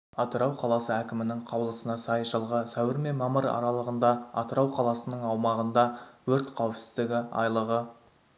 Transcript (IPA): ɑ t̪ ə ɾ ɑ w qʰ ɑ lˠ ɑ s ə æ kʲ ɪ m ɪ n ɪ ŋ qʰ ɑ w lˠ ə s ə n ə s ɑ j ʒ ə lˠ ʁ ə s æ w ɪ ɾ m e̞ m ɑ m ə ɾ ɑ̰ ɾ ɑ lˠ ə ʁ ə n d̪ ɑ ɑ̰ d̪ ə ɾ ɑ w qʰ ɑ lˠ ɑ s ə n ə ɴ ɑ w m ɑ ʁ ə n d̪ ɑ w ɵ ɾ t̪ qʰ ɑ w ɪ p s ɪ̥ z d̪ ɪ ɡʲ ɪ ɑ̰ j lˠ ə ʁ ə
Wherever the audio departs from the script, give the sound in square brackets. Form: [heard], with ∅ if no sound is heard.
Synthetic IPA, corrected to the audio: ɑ t̪ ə ɾ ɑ w qʰ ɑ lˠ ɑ s ə æ kʲ ɪ m ɪ n ɪ ŋ qʰ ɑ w lˠ ə s ə n [ɑ] s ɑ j ʒ ə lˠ ʁ ə s æ w ɪ ɾ m e̞ m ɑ m ə ɾ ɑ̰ ɾ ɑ lˠ ə ʁ ə n d̪ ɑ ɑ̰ [t̪] ə ɾ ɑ w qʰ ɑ lˠ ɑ s ə n ə ɴ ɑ w m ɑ ʁ ə n d̪ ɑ w ɵ ɾ t̪ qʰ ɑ w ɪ p s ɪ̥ z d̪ ɪ ɡʲ ɪ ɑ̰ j lˠ ə ʁ ə